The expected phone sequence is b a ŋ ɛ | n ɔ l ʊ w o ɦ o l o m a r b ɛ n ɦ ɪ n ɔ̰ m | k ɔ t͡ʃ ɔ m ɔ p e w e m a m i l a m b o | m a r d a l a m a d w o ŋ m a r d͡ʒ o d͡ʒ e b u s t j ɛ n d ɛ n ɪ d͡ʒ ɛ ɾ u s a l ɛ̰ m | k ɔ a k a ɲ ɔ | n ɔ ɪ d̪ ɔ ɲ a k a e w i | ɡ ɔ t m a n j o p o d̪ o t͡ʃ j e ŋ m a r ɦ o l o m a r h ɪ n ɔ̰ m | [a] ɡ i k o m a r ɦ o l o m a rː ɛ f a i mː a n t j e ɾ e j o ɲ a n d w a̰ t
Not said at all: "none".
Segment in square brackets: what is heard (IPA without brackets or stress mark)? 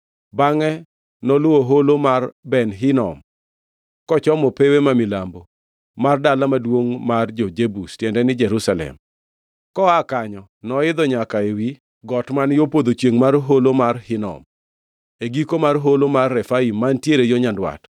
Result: e